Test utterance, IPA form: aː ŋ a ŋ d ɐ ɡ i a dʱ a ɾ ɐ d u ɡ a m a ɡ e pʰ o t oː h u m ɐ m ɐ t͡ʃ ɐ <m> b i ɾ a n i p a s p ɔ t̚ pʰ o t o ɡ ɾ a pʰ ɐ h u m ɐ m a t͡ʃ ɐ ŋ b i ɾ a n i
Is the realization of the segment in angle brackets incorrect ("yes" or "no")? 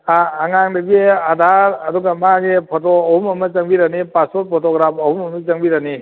yes